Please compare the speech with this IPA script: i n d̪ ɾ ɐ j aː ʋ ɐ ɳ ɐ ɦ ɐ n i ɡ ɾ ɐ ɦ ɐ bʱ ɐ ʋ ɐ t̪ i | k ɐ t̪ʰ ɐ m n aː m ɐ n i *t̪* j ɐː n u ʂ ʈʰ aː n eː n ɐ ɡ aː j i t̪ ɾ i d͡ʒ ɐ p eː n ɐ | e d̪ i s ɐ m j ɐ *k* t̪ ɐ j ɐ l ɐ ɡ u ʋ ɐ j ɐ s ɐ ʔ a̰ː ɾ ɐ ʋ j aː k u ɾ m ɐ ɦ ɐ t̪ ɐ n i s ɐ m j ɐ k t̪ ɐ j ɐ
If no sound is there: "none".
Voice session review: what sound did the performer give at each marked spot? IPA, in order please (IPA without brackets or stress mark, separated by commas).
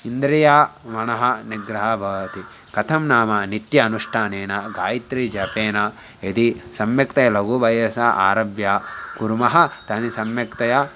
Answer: t̪, k